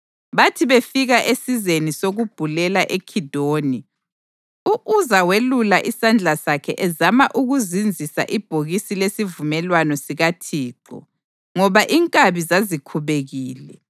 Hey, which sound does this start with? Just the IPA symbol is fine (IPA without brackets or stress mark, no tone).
β